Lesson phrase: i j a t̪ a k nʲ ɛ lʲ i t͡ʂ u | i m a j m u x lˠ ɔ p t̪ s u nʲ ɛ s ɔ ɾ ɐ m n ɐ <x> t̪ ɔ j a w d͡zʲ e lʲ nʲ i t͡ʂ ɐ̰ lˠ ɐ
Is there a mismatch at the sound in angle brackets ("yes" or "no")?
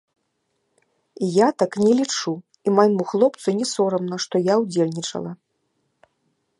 yes